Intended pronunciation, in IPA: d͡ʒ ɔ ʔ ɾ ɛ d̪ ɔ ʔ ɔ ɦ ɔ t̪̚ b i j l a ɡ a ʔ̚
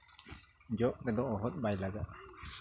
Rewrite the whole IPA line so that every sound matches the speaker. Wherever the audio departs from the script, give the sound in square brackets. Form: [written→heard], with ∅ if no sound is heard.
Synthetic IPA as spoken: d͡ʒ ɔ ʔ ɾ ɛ d̪ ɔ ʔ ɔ ɦ ɔ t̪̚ b [i→a] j l a ɡ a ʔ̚